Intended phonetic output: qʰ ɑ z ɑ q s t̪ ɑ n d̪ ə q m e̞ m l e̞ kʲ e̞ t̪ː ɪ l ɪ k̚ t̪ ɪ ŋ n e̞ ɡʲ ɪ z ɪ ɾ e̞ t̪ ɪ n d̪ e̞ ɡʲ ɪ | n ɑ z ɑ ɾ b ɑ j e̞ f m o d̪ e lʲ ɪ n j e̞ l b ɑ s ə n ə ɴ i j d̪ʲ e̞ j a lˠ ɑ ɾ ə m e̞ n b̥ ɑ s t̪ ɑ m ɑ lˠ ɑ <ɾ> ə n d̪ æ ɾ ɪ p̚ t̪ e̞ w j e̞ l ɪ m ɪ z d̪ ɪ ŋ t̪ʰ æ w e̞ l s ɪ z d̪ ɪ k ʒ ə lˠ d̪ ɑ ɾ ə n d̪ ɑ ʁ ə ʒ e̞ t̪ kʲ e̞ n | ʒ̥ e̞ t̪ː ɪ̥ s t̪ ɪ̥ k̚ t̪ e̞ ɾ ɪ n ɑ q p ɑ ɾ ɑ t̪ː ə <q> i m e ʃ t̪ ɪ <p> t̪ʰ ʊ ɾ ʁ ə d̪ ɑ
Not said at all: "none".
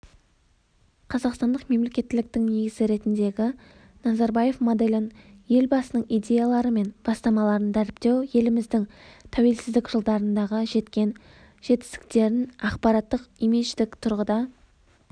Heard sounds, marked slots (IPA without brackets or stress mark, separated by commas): ɾ, q, k